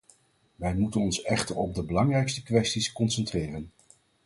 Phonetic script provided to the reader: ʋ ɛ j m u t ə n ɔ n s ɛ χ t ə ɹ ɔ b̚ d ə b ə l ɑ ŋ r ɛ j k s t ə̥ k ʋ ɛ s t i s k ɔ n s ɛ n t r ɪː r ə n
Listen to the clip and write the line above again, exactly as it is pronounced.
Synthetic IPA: ʋ ɛ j m u t ə n ɔ n s ɛ χ t ə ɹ ɔ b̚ d ə b ə l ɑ ŋ r ɛ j k s t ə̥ k ʋ ɛ s t i s k ɔ n s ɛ n t r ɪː r ə n